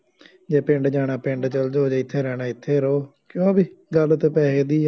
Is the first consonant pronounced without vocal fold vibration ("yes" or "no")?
no